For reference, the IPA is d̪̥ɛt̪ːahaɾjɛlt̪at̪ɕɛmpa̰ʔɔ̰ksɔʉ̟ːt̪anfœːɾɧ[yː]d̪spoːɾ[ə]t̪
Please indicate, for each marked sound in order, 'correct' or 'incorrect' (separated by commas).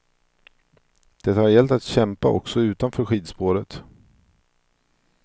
incorrect, correct